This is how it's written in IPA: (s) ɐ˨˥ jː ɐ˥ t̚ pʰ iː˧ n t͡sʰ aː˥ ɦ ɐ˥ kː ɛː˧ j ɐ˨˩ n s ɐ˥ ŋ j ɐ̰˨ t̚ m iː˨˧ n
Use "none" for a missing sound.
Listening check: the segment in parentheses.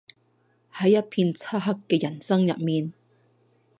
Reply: h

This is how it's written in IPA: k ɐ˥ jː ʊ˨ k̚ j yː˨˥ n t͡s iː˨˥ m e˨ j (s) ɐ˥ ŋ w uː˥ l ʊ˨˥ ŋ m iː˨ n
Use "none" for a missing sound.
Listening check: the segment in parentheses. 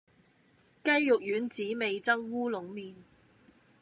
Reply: t͡s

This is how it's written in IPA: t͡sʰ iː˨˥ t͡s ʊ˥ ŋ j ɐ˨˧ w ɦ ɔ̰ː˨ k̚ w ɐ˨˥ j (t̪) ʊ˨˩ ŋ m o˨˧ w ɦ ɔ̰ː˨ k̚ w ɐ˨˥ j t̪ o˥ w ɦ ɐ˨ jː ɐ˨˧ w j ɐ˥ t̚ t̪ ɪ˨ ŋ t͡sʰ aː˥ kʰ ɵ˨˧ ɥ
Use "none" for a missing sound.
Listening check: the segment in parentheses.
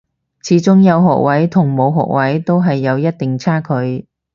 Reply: t̪ʰ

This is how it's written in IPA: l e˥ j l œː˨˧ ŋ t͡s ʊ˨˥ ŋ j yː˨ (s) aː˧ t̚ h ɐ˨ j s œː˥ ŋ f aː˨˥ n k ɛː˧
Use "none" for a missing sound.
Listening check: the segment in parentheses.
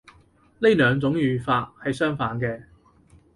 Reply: f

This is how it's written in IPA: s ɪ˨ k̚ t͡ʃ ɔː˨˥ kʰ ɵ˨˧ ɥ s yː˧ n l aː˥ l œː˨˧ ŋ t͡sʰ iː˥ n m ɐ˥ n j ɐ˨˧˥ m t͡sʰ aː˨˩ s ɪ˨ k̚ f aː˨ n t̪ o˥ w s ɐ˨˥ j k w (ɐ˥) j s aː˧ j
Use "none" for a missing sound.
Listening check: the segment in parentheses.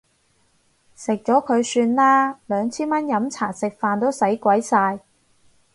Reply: ɐ˨˥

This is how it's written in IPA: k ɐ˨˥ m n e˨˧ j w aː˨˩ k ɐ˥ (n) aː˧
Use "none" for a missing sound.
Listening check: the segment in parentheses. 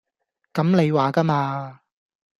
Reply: m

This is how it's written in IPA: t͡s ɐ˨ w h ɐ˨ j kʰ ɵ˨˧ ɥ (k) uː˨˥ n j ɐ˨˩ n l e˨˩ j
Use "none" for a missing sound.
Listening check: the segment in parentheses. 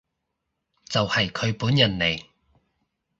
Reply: p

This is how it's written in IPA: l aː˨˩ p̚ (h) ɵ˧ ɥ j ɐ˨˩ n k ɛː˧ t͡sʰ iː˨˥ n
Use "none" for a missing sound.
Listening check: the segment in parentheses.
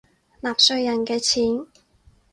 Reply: s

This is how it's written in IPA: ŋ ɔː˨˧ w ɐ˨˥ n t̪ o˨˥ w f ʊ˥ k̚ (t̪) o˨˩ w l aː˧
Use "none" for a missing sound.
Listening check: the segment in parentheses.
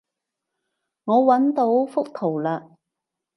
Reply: t̪ʰ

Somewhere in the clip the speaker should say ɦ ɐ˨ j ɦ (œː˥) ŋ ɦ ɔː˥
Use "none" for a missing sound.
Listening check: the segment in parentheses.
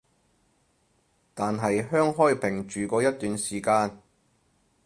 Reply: œː˥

